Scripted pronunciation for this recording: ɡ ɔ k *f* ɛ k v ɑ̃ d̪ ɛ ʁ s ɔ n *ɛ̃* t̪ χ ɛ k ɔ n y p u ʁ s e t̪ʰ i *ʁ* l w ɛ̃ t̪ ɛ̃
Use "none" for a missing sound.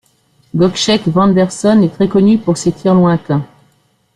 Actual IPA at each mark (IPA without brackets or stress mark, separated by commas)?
ʃ, ɛ, ʁ